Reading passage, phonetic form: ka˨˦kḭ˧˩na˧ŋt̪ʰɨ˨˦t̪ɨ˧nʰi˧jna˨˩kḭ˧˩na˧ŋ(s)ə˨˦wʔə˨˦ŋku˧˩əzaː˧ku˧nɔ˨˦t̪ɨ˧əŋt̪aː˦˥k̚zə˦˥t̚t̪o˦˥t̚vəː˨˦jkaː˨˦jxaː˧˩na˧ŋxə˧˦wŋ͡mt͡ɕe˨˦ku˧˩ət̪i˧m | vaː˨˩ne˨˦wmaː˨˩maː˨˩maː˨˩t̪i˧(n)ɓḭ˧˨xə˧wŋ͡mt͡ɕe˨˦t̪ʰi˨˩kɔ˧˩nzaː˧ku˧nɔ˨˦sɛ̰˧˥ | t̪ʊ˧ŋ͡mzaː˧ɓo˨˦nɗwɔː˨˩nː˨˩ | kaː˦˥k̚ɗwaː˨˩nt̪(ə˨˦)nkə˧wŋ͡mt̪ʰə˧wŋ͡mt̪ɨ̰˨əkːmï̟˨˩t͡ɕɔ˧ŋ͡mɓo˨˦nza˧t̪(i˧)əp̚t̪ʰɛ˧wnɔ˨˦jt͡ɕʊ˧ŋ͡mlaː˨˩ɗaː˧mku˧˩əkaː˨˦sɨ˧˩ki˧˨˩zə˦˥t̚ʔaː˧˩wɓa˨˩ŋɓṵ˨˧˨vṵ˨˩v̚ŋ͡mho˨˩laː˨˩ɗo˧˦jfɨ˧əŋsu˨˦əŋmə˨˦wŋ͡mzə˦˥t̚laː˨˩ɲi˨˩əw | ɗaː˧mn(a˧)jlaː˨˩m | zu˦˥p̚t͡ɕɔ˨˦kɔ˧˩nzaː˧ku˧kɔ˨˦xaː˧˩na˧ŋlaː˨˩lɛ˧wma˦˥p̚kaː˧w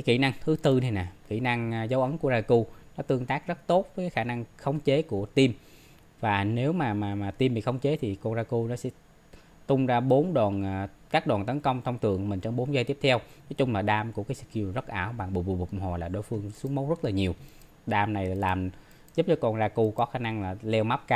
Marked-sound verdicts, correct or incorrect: incorrect: z, incorrect: m, correct, incorrect: i˦˥, incorrect: a˨˩

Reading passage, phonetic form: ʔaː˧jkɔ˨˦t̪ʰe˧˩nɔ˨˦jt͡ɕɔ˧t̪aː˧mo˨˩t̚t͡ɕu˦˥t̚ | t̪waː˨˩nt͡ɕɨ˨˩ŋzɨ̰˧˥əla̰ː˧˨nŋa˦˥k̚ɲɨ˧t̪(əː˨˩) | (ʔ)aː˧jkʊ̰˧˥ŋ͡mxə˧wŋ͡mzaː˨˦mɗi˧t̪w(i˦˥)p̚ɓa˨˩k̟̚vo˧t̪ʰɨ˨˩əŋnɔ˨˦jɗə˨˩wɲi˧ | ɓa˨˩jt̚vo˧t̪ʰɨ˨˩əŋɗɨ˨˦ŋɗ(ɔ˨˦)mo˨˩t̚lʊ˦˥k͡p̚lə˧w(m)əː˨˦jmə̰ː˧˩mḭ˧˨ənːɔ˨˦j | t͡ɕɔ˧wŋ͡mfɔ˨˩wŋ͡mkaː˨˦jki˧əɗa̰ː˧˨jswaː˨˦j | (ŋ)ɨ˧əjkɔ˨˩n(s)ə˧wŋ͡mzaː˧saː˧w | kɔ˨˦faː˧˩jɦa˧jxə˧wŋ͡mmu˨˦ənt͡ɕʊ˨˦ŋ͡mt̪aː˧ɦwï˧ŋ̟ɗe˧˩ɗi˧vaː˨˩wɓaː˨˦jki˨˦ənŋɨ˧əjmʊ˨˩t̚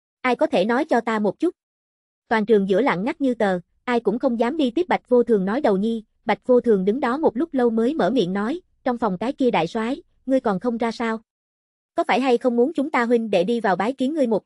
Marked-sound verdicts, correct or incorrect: correct, correct, correct, correct, correct, correct, incorrect: x

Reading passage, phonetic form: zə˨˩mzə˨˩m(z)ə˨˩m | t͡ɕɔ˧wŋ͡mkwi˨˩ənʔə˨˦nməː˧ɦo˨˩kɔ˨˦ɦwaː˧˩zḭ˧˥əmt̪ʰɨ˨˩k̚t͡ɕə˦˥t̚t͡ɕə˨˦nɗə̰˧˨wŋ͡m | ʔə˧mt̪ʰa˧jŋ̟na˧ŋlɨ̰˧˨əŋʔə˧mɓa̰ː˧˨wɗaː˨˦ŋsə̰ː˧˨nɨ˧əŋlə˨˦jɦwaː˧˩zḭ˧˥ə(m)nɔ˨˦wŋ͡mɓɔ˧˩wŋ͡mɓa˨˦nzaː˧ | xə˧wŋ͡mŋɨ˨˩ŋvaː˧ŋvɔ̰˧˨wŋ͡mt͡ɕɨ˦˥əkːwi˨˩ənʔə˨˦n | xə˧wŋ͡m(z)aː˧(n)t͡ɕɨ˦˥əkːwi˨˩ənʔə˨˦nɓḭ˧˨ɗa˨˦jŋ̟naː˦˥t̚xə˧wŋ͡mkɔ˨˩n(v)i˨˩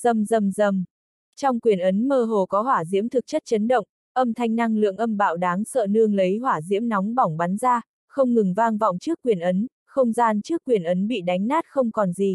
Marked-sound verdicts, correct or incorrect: correct, correct, correct, correct, incorrect: z

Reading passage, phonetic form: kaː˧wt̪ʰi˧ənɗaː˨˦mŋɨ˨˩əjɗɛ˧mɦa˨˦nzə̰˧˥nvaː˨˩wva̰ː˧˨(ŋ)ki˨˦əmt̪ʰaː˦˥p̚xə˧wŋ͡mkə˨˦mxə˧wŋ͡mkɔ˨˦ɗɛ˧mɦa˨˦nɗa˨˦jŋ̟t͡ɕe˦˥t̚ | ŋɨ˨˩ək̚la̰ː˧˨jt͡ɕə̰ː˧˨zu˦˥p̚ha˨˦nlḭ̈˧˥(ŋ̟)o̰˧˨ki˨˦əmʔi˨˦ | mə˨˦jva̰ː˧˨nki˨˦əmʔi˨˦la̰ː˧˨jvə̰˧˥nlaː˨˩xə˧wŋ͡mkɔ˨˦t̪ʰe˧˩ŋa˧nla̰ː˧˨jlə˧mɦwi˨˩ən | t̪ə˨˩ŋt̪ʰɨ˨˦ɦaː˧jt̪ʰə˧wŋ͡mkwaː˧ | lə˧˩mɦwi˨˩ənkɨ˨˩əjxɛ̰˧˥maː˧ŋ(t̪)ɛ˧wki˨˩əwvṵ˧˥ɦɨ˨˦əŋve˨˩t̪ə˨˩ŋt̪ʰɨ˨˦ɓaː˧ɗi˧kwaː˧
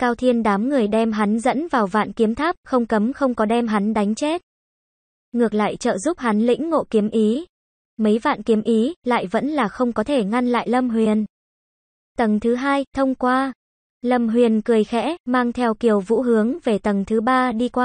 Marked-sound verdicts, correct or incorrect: incorrect: n, incorrect: ŋ̟ː, incorrect: t̪ʰ

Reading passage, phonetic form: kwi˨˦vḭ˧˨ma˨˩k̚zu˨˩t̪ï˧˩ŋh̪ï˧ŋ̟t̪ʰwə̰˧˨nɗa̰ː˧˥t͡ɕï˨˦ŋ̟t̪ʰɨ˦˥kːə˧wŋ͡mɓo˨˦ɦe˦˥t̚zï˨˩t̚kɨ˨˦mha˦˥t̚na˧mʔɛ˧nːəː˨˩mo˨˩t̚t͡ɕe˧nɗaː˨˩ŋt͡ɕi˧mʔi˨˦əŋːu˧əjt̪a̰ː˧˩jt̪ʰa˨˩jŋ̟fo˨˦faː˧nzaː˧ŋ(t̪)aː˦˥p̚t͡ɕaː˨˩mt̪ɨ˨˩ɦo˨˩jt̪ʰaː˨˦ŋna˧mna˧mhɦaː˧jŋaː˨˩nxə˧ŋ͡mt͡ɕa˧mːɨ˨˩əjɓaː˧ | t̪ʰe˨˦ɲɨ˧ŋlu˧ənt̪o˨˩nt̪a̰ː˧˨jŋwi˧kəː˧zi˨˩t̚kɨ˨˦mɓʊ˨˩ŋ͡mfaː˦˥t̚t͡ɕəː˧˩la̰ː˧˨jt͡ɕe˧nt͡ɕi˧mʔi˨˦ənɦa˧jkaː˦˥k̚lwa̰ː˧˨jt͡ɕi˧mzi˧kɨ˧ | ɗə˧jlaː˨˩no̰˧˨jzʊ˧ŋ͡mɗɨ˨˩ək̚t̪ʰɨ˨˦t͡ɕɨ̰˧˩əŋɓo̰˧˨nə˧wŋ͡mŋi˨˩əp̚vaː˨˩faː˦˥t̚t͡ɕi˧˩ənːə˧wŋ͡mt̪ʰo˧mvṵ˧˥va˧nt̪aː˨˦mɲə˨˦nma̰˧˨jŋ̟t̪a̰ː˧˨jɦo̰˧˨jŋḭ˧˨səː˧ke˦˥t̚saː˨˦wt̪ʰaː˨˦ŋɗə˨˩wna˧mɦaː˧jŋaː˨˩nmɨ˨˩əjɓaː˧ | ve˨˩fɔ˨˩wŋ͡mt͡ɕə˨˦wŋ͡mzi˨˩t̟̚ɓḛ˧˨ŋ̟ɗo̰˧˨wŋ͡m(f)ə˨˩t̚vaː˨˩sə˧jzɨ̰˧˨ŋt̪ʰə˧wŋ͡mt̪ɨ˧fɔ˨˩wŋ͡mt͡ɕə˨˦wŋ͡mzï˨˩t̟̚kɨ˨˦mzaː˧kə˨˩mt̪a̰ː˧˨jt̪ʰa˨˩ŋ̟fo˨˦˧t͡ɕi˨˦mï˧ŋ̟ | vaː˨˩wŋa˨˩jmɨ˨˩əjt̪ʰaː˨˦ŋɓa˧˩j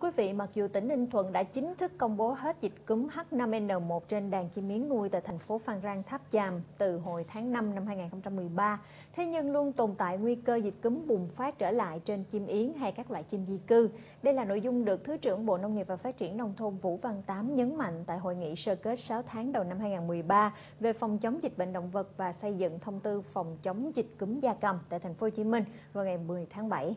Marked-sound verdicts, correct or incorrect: incorrect: t̪ʰ, incorrect: v

